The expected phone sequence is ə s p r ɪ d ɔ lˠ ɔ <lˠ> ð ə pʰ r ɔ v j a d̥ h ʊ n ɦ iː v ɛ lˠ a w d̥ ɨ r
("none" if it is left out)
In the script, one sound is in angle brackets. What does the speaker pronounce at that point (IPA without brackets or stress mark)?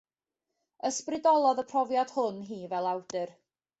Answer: none